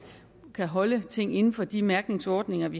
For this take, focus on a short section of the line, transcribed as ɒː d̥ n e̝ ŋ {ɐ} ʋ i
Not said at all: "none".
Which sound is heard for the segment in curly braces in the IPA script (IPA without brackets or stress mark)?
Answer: ɐ